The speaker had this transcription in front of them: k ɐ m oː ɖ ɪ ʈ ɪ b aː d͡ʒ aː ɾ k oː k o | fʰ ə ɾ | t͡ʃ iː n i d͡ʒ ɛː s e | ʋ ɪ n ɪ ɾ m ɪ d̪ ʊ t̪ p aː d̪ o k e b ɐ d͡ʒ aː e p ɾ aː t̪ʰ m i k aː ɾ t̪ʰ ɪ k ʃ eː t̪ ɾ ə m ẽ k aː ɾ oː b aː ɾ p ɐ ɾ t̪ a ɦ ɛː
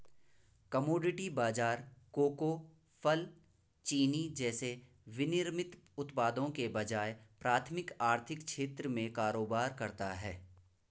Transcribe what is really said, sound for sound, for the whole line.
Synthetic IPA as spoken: k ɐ m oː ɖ ɪ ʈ i b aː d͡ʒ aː ɾ k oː k o | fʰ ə l | t͡ʃ iː n i d͡ʒ ɛː s e | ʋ ɪ n ɪ ɾ m ɪ t̪ ʊ t̪ p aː d̪ õ k e b ɐ d͡ʒ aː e p ɾ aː t̪ʰ m ɪ k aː ɾ t̪ʰ ɪ k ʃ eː t̪ ɾ ə m ẽ k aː ɾ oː b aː ɾ k ɐ ɾ t̪ a ɦ ɛː